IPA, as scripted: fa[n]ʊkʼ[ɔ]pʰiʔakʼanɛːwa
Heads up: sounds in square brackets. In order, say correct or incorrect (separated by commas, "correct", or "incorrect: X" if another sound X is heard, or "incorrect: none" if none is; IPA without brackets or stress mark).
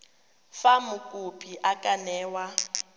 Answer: incorrect: m, incorrect: u